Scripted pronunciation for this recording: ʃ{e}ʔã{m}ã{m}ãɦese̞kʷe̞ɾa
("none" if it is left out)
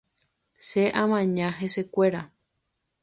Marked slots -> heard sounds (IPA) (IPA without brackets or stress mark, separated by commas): e, m, ɲ